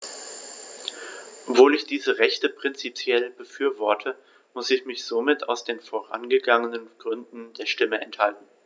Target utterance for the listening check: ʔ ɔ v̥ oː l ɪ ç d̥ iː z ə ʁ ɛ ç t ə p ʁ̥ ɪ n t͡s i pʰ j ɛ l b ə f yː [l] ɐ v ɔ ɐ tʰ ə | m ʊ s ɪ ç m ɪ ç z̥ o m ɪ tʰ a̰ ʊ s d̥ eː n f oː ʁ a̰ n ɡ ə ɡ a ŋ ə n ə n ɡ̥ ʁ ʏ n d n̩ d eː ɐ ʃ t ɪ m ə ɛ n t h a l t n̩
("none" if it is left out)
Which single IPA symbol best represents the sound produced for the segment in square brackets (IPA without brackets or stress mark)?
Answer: none